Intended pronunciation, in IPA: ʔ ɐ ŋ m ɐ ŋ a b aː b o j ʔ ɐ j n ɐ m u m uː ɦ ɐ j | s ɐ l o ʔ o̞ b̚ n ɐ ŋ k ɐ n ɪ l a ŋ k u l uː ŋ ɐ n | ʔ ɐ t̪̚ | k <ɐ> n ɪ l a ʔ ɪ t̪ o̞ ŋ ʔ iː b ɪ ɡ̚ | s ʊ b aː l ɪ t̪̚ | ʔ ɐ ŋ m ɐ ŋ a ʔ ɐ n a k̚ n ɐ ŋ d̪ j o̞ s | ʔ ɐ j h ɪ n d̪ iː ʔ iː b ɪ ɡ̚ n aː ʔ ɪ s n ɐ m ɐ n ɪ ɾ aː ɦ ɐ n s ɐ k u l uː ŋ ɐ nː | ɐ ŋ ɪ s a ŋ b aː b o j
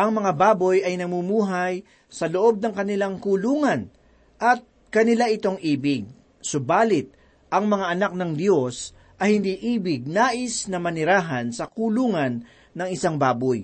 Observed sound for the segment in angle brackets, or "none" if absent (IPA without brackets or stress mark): ɐ